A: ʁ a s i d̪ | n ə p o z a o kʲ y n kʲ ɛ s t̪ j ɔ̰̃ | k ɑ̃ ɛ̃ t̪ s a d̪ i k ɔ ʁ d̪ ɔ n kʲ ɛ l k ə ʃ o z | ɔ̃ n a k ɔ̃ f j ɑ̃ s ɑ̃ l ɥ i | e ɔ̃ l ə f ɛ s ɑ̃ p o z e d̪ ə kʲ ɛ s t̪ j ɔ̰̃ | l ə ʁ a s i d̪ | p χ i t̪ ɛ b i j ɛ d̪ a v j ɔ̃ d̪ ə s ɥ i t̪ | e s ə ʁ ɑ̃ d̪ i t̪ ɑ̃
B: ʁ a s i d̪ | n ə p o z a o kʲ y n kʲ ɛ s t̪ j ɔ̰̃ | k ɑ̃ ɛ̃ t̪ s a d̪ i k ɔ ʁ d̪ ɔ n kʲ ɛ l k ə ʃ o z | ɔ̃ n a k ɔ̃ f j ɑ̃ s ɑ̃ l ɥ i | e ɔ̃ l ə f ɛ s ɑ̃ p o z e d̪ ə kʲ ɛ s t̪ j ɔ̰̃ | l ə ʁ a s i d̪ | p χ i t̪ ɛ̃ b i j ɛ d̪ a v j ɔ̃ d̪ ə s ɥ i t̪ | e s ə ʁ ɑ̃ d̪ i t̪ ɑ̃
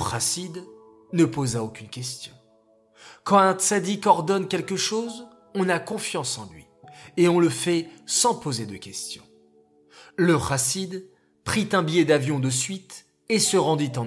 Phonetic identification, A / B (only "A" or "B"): B